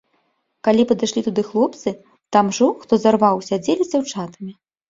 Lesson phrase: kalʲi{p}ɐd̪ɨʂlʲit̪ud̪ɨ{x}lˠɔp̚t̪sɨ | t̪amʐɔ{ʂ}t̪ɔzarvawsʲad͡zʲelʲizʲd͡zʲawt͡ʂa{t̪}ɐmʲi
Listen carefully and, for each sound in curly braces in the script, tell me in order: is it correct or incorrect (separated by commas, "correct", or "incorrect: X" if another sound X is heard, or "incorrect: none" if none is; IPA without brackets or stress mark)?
correct, correct, incorrect: x, correct